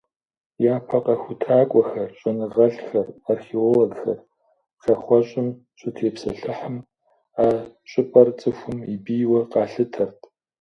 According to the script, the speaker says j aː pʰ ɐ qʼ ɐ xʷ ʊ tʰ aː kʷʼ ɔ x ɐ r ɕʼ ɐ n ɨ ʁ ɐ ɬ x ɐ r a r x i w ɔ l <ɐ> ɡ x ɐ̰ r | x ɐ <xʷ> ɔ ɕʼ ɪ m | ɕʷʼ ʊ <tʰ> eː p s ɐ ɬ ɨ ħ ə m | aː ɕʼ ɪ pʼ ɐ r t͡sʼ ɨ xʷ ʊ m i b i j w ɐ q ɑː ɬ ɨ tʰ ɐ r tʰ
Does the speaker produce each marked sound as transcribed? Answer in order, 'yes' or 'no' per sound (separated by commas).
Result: yes, no, yes